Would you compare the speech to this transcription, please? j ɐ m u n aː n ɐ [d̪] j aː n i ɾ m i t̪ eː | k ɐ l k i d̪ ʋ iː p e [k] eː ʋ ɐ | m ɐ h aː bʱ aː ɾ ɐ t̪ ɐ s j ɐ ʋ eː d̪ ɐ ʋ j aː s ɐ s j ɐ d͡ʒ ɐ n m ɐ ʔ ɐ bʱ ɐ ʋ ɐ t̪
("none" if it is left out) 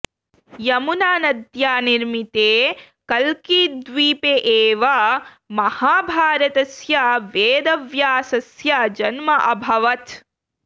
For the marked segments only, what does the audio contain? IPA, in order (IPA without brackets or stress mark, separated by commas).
d̪, ʔ